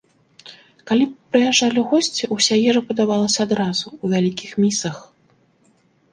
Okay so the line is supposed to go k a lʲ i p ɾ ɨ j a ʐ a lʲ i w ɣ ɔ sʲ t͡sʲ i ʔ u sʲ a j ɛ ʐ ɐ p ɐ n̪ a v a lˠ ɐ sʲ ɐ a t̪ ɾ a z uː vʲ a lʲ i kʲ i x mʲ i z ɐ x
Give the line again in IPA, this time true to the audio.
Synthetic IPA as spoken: k a lʲ i p ɾ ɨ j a ʐ a lʲ i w ɣ ɔ sʲ t͡sʲ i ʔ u sʲ a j ɛ ʐ ɐ p ɐ d̪ a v a lˠ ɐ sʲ ɐ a d̪ ɾ a z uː vʲ a lʲ i kʲ i x mʲ i s ɐ x